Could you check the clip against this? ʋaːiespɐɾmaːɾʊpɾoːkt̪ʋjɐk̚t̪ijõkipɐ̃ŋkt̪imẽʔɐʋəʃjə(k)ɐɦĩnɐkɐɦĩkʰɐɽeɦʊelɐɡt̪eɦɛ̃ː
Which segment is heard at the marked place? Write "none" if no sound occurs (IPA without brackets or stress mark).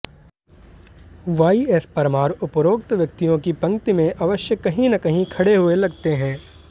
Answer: k